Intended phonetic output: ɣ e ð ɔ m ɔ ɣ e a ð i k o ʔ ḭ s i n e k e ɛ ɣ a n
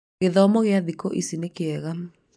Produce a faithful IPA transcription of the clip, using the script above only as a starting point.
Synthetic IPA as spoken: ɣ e ð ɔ m ɔ ɣ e a ð i k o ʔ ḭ s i n e k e ɛ ɣ a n